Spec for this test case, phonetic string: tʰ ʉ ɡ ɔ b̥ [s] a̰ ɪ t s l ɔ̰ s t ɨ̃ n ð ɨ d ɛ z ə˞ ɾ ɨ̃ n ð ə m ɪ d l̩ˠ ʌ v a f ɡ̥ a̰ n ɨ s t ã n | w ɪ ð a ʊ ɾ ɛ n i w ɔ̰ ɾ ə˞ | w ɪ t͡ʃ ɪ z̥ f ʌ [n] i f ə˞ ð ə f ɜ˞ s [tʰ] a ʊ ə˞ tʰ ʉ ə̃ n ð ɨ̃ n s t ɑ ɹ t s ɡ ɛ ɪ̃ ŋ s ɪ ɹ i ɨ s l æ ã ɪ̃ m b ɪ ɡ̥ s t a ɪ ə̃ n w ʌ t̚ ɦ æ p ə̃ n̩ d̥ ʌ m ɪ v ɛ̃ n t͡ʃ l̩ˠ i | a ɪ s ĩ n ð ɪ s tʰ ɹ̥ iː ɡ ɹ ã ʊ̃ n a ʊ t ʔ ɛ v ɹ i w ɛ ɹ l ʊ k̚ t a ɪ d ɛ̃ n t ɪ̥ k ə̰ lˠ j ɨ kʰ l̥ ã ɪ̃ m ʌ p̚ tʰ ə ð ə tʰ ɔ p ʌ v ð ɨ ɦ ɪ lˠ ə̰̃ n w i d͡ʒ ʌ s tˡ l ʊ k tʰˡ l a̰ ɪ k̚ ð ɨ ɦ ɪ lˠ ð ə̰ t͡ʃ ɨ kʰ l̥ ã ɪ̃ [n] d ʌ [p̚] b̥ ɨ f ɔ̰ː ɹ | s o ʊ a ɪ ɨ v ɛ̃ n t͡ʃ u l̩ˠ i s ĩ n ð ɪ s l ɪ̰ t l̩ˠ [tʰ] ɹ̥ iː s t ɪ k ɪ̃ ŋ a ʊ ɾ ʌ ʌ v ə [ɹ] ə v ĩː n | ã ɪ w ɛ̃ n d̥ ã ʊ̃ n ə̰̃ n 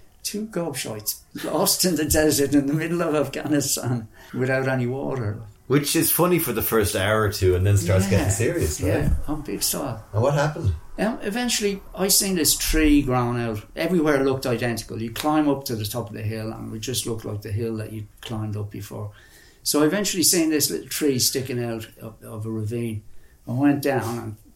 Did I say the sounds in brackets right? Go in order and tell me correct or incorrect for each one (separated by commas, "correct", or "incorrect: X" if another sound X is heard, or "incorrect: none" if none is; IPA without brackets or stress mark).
incorrect: ʃ, correct, incorrect: t, incorrect: m, correct, correct, correct